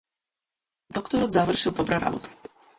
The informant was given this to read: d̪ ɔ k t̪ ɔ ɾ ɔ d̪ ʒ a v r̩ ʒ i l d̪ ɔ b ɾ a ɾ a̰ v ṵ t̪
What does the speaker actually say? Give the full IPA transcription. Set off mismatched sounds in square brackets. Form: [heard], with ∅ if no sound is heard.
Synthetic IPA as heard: d̪ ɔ k t̪ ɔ ɾ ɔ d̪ [z] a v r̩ [ʃ] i l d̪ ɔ b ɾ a ɾ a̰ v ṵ t̪